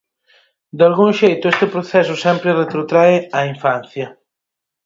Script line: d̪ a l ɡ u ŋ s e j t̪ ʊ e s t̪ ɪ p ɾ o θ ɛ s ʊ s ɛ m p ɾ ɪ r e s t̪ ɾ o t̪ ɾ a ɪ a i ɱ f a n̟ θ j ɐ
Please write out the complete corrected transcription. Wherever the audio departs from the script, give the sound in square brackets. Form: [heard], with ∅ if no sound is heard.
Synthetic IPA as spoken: d̪ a l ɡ u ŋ [ʃ] e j t̪ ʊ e s t̪ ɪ p ɾ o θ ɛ s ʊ s ɛ m p ɾ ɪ r e [∅] t̪ ɾ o t̪ ɾ a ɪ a i ɱ f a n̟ θ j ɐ